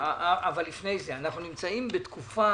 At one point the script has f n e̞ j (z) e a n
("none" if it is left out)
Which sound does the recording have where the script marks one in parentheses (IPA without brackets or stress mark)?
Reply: z